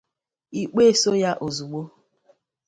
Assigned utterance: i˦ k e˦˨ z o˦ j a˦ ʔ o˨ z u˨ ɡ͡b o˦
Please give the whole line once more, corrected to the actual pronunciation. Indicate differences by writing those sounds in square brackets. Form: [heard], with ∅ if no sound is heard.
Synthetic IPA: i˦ [k͡p] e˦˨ [s] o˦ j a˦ ʔ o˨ z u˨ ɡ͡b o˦